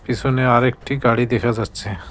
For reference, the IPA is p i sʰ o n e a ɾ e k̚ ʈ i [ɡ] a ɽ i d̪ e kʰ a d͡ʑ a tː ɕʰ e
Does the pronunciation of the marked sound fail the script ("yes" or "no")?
no